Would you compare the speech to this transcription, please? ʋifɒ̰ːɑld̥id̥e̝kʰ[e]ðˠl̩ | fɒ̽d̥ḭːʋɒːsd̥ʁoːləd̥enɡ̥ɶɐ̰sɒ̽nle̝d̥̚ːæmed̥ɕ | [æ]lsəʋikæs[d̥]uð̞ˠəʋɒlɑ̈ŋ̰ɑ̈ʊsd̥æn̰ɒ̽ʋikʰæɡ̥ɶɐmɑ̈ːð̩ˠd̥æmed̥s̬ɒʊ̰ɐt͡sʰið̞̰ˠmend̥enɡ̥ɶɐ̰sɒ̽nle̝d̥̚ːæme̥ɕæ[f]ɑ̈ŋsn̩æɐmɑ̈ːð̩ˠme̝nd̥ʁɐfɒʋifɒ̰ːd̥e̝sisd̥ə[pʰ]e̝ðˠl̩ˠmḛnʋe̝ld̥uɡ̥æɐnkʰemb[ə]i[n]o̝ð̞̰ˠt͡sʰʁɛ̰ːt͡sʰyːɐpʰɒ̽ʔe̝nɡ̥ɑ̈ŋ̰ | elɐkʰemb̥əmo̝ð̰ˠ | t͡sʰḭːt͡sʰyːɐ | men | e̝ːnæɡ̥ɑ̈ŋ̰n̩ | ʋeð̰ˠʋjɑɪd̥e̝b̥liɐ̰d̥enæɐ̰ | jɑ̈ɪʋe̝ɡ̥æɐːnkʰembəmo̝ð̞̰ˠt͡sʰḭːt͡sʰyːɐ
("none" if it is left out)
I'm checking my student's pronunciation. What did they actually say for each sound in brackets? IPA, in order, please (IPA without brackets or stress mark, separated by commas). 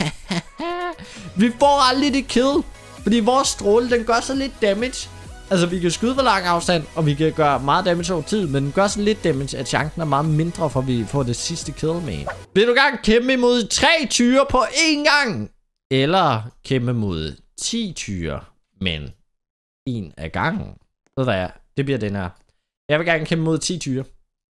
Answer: e, æ, ɡ̥, ɕ, kʰ, ə, m